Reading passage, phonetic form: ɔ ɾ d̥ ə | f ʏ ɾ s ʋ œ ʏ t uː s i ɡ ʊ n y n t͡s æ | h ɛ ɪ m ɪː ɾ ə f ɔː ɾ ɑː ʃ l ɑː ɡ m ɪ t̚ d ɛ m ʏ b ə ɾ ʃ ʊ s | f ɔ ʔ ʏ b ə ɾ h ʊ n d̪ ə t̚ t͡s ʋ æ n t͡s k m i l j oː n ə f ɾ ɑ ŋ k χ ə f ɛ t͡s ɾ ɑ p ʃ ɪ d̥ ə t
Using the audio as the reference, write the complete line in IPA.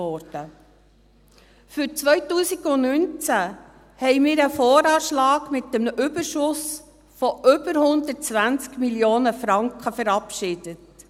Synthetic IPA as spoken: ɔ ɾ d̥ ə | f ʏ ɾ t͡s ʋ œ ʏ t uː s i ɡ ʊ n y n t͡s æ | h ɛ ɪ m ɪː ɾ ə f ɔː ɾ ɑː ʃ l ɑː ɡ m ɪ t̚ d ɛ m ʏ b ə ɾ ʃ ʊ s | f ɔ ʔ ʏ b ə ɾ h ʊ n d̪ ə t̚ t͡s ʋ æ n t͡s k m i l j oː n ə f ɾ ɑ ŋ k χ ə f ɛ ɾ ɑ p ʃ ɪ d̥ ə t